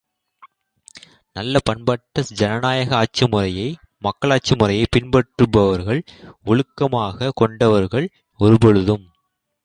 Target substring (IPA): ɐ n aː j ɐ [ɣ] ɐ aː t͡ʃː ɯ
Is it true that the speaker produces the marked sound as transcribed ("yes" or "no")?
yes